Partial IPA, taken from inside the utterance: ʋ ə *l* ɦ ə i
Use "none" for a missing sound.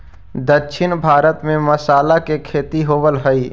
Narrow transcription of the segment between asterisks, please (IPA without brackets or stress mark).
l